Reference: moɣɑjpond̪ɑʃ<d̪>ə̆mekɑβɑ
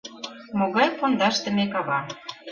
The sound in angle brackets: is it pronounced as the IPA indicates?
no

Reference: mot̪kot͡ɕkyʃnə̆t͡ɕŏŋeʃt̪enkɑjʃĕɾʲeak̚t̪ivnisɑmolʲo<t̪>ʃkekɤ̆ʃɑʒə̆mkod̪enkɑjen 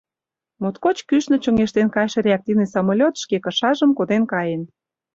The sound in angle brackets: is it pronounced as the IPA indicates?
yes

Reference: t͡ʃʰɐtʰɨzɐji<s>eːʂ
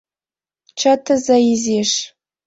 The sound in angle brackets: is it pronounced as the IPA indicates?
no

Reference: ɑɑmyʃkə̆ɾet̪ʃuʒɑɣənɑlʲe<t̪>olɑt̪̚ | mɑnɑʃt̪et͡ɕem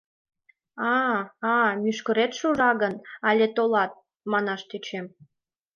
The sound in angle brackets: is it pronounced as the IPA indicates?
yes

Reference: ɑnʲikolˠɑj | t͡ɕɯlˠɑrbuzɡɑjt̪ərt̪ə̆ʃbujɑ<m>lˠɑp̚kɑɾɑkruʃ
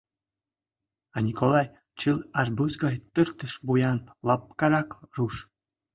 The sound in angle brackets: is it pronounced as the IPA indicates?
no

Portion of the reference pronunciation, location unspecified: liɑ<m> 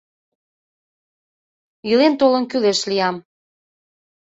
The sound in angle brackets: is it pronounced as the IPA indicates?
yes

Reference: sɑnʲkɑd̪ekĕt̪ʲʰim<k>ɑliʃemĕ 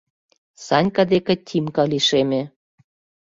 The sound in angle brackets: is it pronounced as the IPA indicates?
yes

